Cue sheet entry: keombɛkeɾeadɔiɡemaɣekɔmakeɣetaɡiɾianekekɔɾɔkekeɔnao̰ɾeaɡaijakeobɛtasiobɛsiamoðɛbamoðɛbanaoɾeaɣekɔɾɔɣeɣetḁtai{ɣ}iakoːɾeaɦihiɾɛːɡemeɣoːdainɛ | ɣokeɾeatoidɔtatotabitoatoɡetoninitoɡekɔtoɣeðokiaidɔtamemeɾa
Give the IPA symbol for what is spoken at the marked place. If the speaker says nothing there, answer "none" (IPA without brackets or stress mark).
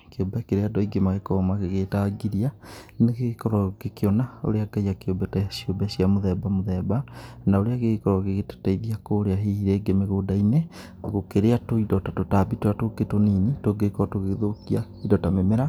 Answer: ð